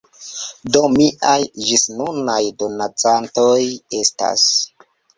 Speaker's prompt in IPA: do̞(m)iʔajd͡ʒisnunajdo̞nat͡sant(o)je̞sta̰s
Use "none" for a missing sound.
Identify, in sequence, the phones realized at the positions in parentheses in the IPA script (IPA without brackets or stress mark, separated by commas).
m, o